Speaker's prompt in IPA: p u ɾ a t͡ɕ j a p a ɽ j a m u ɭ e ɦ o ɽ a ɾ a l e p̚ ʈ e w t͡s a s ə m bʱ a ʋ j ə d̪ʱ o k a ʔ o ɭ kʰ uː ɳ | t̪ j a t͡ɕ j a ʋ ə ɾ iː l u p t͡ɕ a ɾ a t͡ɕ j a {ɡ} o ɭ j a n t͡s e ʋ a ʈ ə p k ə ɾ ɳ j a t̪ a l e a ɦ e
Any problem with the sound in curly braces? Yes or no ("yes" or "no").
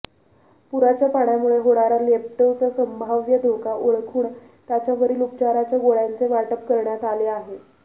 no